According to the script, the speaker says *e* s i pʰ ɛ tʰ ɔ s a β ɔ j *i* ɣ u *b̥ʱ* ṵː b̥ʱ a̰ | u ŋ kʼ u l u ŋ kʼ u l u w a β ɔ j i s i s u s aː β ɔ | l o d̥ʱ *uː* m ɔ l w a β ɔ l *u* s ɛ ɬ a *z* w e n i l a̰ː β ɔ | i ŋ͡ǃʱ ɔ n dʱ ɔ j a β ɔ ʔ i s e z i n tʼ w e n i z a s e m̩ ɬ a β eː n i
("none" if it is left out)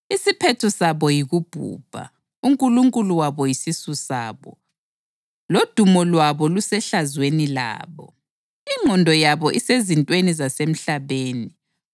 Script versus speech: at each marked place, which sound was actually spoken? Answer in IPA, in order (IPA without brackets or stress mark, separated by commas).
i, i, b̥ʱ, u, u, z